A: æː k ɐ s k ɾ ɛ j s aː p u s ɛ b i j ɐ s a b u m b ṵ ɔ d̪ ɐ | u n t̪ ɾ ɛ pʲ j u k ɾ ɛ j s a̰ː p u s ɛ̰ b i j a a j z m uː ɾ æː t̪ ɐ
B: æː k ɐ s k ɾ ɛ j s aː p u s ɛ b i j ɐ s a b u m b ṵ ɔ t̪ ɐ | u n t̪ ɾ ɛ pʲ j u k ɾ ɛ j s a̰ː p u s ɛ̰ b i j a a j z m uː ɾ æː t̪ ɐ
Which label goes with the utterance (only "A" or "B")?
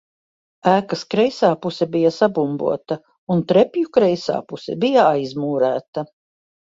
B